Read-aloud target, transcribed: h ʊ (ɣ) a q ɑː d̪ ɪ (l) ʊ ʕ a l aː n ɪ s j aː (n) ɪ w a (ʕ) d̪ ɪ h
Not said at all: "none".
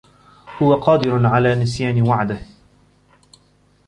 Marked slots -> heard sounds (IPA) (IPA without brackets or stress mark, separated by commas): w, ɾ, n, ʕ